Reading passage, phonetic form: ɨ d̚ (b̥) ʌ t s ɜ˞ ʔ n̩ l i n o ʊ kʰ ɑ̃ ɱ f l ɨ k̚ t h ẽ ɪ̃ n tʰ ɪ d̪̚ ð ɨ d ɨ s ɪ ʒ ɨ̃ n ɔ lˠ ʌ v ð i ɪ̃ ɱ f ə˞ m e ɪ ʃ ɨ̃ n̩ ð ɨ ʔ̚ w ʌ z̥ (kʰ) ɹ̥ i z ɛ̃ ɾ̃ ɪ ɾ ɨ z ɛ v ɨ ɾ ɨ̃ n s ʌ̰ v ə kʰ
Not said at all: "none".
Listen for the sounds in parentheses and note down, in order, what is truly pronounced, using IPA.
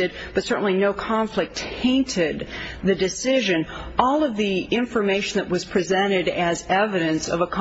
b̥, pʰ

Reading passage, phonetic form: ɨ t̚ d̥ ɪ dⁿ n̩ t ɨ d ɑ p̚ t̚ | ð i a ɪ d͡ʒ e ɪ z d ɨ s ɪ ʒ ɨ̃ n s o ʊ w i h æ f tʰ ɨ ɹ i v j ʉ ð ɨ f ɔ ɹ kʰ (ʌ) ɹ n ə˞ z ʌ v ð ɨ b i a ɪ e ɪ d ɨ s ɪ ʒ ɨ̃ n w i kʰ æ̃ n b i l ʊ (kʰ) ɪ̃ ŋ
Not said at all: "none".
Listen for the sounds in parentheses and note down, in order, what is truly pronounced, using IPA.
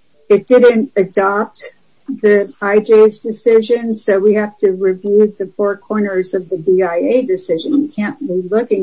ɔ, k

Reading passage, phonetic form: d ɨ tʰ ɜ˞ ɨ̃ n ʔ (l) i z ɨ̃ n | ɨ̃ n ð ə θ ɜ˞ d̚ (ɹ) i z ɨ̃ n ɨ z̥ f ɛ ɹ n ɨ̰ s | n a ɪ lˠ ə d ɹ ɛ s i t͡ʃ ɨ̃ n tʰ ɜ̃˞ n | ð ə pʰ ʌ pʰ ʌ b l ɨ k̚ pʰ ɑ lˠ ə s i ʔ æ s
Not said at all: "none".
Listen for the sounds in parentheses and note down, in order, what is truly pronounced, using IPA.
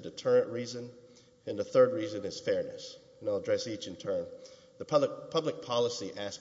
ɹ, ɹ

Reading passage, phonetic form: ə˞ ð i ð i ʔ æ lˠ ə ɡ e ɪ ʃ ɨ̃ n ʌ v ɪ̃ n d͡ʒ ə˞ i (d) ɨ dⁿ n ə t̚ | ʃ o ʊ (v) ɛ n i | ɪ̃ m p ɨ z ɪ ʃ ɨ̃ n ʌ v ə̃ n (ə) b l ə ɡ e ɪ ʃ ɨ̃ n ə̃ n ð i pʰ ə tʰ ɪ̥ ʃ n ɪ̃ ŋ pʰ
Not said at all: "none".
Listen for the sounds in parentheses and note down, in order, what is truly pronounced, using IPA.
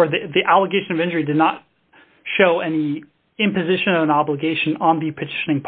d, none, ɑ

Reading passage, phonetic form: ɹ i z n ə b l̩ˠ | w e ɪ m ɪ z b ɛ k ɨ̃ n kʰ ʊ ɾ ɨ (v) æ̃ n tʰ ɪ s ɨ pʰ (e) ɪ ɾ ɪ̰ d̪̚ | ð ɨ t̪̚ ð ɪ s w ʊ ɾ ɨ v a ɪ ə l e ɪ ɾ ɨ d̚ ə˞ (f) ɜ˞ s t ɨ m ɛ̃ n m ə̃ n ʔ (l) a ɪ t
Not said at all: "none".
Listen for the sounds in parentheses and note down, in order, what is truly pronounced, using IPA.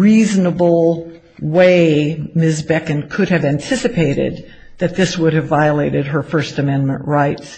v, e, f, ɹ

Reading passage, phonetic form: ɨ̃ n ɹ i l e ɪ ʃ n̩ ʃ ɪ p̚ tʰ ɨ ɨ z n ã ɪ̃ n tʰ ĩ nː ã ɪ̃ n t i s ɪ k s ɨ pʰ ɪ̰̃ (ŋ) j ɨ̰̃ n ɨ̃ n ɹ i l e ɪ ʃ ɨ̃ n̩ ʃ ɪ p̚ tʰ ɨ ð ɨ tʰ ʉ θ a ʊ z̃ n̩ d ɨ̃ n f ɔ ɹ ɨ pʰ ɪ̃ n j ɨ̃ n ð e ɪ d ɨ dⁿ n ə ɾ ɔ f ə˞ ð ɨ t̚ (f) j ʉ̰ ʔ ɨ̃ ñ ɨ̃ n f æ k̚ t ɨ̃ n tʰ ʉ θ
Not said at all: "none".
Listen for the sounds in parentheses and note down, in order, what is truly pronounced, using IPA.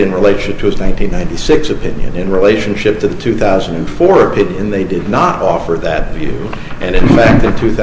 n, v

